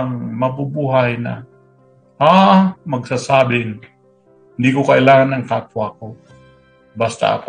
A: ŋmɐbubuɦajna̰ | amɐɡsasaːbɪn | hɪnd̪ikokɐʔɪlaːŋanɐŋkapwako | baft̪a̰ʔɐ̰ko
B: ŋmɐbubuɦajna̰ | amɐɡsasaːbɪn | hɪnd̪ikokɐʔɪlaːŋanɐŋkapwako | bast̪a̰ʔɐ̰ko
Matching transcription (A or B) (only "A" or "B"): B